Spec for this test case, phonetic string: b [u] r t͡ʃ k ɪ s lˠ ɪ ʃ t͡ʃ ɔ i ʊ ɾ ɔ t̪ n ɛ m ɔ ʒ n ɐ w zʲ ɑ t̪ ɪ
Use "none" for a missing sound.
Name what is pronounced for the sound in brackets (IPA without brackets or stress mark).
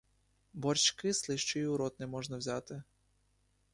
ɔ